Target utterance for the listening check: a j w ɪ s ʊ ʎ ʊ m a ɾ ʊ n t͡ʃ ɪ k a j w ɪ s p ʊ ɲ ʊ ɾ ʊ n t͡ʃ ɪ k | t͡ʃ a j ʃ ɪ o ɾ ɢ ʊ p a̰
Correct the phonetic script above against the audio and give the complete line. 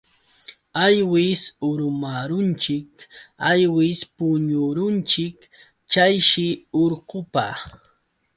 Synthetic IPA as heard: a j w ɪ s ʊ ɾ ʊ m a ɾ ʊ n t͡ʃ ɪ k a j w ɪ s p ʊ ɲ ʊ ɾ ʊ n t͡ʃ ɪ k | t͡ʃ a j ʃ ɪ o ɾ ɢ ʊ p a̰